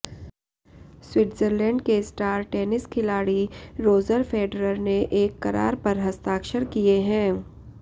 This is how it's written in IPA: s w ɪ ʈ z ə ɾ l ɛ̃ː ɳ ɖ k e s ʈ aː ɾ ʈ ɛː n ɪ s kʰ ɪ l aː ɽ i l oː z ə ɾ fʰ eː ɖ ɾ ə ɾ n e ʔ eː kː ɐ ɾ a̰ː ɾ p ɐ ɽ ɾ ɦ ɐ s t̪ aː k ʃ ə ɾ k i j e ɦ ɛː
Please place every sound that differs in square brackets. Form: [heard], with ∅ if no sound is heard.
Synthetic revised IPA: s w ɪ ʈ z ə ɾ l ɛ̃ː ɳ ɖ k e s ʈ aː ɾ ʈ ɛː n ɪ s kʰ ɪ l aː ɽ i [ɾ] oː z ə ɾ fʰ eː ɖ ɾ ə ɾ n e ʔ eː kː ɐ ɾ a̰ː ɾ p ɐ [∅] ɾ ɦ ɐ s t̪ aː k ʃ ə ɾ k i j e ɦ [ɛ̃ː]